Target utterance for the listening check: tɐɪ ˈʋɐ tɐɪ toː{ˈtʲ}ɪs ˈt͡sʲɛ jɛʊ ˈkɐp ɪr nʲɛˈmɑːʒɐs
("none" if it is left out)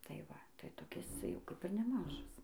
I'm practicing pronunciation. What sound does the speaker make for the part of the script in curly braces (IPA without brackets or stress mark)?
kʲ